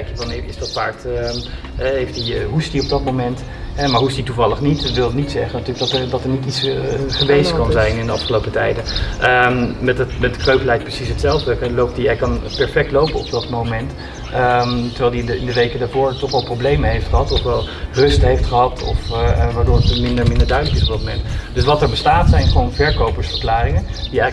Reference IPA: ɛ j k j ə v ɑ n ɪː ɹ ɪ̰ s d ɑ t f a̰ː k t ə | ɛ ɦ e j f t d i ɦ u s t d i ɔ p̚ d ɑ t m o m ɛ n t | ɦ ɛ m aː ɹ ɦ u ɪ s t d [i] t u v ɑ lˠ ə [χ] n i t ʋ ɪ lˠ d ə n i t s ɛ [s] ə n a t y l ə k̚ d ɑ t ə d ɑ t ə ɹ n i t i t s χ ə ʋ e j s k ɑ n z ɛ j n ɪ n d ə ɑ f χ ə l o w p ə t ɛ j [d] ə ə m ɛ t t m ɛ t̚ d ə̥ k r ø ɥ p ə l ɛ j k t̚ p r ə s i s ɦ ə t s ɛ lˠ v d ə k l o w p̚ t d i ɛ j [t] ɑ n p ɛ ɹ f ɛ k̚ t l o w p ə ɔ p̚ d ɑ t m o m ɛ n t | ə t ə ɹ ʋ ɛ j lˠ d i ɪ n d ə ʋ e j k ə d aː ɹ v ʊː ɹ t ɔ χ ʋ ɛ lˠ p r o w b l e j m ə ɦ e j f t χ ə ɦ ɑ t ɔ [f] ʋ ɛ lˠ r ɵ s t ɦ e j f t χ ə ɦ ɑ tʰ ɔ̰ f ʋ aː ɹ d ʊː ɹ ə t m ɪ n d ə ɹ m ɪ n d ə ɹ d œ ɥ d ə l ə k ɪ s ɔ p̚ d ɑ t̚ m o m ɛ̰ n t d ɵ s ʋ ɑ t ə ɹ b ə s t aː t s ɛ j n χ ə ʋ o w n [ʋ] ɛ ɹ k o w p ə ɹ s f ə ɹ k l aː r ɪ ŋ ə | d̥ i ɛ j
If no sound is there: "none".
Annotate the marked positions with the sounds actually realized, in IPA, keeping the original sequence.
i, χ, χ, d, k, f, v

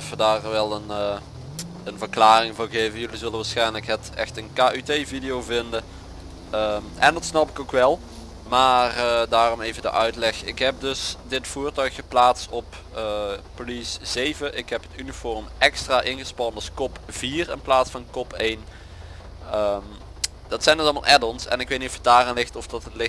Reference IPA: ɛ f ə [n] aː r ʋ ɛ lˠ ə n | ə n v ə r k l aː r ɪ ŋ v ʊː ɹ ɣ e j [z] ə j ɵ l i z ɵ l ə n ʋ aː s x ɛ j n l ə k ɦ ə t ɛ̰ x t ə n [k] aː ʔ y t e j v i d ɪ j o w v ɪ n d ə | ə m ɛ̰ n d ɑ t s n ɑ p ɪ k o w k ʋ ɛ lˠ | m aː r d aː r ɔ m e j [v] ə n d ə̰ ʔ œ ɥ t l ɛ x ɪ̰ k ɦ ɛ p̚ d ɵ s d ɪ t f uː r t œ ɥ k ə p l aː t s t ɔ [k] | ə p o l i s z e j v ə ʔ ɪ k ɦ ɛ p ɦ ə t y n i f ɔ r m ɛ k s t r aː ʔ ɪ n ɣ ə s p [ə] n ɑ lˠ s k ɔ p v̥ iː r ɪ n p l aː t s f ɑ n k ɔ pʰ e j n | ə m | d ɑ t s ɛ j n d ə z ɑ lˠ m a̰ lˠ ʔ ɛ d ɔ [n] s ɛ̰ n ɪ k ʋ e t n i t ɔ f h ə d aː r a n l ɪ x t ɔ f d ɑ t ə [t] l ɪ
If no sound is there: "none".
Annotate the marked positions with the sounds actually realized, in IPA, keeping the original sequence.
d, v, k, v, p, ɑ, n, t

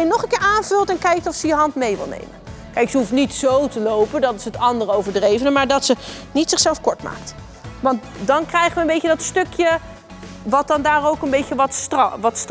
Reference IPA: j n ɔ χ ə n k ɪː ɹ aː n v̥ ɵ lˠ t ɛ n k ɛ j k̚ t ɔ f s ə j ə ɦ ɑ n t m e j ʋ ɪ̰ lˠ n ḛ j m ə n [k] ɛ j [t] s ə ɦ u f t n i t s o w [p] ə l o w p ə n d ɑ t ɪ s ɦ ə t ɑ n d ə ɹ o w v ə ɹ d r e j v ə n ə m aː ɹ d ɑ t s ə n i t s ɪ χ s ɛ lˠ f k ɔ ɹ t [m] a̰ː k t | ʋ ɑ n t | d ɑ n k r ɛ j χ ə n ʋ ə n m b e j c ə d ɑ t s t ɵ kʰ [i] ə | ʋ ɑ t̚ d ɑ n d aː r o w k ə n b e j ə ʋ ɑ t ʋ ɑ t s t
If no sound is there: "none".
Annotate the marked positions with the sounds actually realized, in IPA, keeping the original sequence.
k, k, t, m, j

